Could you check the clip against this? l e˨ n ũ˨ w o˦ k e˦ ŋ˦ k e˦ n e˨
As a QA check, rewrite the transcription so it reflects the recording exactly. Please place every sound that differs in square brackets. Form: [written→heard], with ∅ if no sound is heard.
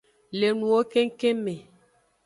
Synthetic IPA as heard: l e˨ n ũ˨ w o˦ k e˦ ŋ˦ k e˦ [n→m] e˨